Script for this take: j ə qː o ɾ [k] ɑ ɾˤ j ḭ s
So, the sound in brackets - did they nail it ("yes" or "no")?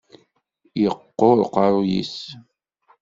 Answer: no